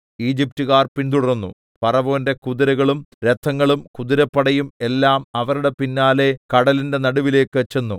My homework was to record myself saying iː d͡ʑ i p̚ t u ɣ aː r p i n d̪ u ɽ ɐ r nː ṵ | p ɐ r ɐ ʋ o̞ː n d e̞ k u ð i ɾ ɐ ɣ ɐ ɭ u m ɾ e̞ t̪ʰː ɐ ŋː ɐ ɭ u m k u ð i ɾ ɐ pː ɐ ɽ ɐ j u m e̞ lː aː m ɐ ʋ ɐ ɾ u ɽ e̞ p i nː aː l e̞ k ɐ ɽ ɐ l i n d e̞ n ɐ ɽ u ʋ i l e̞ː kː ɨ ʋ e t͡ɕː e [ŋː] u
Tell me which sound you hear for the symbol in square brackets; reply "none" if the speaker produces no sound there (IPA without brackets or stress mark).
nː